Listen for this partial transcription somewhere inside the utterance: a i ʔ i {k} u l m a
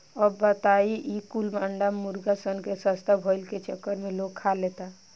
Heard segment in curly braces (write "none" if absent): k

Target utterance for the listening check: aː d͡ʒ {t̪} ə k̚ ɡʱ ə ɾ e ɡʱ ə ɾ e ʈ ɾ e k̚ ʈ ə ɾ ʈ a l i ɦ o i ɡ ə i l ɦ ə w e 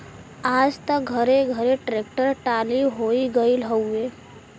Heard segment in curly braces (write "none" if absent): t̪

